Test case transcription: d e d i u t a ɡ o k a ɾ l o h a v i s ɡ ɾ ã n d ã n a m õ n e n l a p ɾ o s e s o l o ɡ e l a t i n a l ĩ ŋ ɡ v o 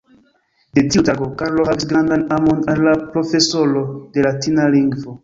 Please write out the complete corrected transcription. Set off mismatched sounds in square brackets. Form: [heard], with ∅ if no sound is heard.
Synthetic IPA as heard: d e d i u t a ɡ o k a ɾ l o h a v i s ɡ ɾ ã n d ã n a m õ n [a] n l a p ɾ o [f] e s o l o [d] e l a t i n a l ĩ ŋ ɡ v o